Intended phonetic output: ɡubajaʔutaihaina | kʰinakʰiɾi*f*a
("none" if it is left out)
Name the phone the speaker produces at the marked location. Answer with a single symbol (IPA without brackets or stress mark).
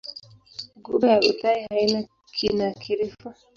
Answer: f